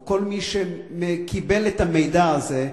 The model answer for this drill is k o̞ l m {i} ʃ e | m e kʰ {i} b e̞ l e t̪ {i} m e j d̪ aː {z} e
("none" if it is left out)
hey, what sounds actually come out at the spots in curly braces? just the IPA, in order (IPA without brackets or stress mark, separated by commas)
i, i, a, z